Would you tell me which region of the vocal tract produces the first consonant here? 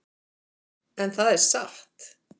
tongue tip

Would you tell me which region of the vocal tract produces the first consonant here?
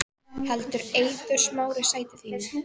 throat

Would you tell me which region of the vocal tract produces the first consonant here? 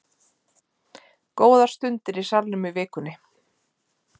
velum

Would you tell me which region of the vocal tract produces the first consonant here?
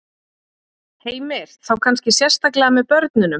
throat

